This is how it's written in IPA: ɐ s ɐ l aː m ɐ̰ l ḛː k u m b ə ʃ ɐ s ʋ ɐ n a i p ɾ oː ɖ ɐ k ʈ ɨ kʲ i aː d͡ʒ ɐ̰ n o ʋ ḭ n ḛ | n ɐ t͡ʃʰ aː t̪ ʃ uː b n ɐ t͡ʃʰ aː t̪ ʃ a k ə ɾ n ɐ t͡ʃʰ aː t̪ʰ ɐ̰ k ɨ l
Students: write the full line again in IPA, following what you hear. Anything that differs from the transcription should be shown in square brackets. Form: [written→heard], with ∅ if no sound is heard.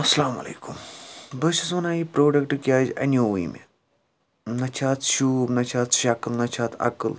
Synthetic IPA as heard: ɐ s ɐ l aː m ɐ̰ l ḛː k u m b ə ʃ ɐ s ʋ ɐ n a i p ɾ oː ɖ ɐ k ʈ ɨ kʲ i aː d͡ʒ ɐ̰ n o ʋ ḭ [n→m] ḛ | n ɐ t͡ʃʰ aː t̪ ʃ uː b n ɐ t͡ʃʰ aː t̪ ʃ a k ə [ɾ→l] n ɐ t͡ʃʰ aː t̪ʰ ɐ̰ k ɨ l

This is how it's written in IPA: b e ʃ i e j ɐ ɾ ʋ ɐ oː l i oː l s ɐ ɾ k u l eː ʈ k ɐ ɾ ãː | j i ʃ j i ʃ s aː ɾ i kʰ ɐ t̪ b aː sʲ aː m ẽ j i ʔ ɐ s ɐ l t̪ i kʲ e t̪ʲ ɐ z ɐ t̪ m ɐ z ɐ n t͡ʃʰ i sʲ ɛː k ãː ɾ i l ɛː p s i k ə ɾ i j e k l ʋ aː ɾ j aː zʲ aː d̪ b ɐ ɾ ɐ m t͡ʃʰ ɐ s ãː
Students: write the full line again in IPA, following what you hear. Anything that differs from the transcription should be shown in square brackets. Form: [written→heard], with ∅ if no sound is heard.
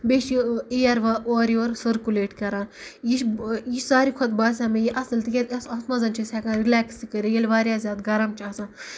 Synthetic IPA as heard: b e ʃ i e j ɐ ɾ ʋ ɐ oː [l→ɾ] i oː [l→ɾ] s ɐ ɾ k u l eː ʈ k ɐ ɾ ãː | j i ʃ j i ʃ s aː ɾ i kʰ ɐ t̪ b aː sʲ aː m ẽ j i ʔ ɐ s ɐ l t̪ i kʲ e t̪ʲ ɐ [z→s] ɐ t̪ m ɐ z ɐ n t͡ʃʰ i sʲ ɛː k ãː ɾ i l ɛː [p→k] s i k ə ɾ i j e [k→∅] l ʋ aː ɾ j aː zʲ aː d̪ [b→ɡ] ɐ ɾ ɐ m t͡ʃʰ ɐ s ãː

